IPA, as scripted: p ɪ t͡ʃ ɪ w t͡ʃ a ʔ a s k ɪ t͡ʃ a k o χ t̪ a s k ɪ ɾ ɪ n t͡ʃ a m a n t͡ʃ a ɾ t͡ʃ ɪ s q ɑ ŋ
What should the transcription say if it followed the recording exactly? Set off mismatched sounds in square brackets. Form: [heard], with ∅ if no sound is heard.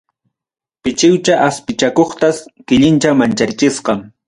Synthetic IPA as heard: p ɪ t͡ʃ ɪ w t͡ʃ a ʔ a s [p] ɪ t͡ʃ a k o χ t̪ a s k ɪ [ʎ] ɪ n t͡ʃ a m a n t͡ʃ a ɾ t͡ʃ ɪ s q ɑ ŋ

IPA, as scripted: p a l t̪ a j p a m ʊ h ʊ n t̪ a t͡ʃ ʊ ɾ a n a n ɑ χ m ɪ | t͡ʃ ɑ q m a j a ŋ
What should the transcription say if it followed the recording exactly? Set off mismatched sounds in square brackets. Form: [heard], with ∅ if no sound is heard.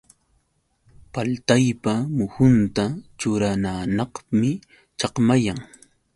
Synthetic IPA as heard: p a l t̪ a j p a m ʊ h ʊ n t̪ a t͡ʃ ʊ ɾ a n a n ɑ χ m ɪ | t͡ʃ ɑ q m a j a ŋ

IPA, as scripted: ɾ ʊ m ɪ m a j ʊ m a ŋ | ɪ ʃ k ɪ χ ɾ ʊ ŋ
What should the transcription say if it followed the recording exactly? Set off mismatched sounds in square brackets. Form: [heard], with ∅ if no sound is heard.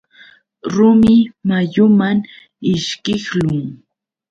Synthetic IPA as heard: ɾ ʊ m ɪ m a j ʊ m a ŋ | ɪ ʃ k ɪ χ [l] ʊ ŋ

